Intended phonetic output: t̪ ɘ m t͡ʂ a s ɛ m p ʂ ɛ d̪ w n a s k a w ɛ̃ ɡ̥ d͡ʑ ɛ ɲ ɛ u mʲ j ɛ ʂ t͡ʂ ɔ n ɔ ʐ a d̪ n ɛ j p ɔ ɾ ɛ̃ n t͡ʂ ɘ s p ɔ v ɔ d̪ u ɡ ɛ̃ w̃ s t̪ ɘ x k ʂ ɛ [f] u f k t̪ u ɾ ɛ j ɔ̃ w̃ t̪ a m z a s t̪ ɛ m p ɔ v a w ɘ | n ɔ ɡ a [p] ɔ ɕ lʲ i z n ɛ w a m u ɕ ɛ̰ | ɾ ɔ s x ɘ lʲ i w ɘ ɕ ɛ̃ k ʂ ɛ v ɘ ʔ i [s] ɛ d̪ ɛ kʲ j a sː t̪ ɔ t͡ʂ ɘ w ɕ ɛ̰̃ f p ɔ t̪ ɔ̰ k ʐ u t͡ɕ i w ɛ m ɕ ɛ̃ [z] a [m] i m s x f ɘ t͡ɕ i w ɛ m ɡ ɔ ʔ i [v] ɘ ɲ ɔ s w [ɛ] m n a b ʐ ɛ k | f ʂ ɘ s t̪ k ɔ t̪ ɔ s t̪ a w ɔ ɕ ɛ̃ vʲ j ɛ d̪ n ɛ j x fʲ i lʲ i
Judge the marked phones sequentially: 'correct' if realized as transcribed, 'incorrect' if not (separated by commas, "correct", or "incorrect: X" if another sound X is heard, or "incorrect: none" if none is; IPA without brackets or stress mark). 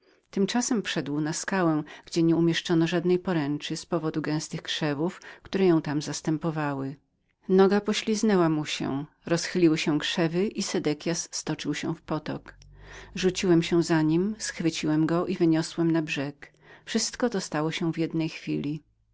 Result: incorrect: v, correct, correct, correct, incorrect: ɲ, correct, correct